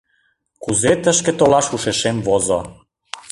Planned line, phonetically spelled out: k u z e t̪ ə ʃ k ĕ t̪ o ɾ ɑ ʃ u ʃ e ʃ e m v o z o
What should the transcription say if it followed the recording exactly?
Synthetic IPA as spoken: k u z e t̪ ə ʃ k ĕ t̪ o l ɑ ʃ u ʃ e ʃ e m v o z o